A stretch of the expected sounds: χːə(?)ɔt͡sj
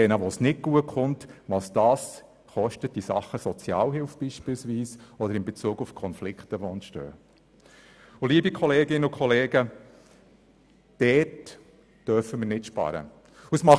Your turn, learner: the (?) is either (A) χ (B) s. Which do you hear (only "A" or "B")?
B